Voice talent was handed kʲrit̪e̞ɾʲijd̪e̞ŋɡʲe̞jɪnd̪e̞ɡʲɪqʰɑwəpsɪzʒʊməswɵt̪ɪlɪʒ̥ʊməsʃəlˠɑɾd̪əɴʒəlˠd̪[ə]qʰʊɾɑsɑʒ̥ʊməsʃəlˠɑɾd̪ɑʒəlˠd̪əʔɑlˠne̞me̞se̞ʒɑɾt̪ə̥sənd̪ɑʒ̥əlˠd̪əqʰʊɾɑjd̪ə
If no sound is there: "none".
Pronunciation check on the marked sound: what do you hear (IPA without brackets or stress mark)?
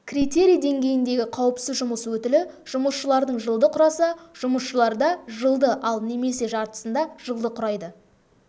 ə